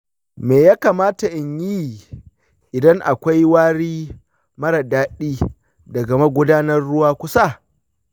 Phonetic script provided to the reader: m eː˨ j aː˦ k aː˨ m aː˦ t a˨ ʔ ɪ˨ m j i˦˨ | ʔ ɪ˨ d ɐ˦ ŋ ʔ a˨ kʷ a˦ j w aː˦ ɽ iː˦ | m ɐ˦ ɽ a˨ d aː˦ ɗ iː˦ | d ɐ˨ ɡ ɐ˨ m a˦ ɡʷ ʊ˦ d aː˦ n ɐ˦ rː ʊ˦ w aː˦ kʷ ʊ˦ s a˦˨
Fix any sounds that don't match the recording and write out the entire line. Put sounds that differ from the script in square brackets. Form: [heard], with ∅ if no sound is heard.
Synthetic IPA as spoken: m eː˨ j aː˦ k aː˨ m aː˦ t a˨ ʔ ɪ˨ [ɲ] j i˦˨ | ʔ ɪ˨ d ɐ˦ ŋ ʔ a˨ kʷ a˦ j w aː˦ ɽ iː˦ | m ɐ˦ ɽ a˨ d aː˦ ɗ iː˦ | d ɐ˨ ɡ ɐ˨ m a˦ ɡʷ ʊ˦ d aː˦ n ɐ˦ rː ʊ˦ w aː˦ kʷ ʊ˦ s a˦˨